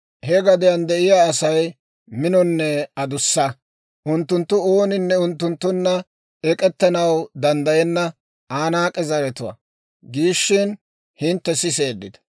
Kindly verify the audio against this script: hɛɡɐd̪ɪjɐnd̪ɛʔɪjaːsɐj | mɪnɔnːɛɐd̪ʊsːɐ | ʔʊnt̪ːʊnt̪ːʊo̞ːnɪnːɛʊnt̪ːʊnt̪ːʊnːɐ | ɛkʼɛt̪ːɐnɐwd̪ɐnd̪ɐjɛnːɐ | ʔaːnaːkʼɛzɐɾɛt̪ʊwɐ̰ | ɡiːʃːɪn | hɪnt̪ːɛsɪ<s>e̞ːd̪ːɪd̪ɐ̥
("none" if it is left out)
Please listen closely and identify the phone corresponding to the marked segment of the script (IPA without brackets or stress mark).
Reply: s